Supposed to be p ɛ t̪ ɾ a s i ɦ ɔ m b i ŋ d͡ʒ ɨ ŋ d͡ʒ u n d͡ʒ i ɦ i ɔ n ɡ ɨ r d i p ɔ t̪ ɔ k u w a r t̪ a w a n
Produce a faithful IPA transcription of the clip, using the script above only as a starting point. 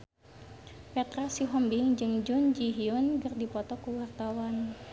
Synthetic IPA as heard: p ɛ t̪ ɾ a s i ɦ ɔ m b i ŋ d͡ʒ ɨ ŋ d͡ʒ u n d͡ʒ i ɦ i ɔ n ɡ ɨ r d i p ɔ t̪ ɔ k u w a r t̪ a w a n